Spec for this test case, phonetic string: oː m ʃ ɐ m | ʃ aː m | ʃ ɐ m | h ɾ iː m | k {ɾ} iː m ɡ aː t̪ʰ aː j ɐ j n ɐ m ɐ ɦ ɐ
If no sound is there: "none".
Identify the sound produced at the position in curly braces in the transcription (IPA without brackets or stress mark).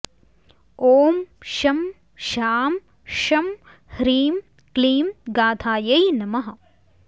l